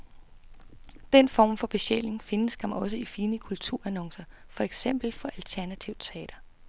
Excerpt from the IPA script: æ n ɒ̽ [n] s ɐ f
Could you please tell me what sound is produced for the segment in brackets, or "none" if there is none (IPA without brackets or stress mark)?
ŋ